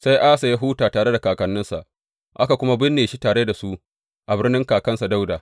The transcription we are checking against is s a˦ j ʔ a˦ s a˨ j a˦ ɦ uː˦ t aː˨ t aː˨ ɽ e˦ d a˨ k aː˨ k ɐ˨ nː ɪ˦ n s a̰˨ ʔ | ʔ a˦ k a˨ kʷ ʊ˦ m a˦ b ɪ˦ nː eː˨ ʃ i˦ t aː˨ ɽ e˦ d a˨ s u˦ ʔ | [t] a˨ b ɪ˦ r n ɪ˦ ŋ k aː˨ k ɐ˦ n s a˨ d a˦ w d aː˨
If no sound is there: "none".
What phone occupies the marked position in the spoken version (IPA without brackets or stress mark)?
ʔ